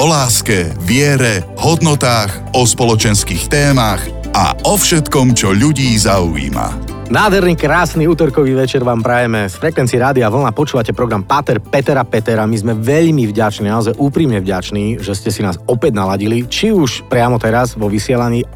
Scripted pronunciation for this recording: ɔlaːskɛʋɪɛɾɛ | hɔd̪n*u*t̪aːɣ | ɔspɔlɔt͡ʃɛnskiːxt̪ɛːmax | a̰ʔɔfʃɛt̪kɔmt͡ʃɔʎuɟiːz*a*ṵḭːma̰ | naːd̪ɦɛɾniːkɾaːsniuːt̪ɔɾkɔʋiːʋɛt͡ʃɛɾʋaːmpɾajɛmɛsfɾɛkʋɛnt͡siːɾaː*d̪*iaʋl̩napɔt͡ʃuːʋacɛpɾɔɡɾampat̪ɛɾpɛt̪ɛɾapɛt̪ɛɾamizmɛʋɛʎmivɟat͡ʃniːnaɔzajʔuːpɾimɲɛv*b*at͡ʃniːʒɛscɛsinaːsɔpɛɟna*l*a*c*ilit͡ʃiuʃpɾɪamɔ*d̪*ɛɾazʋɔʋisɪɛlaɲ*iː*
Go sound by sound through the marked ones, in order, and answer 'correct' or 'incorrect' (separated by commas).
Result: incorrect, correct, correct, incorrect, correct, incorrect, incorrect, correct